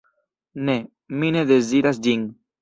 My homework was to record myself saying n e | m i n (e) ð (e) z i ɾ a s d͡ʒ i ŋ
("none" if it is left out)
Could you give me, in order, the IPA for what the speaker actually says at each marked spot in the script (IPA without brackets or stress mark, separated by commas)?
e, e